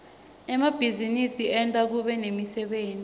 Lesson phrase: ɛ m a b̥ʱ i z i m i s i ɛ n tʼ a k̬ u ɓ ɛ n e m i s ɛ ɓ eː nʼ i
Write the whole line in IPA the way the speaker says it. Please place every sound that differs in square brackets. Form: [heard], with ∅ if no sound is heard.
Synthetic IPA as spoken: ɛ m a b̥ʱ i z i [n] i s i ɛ n tʼ a k̬ u ɓ ɛ n e m i s ɛ ɓ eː nʼ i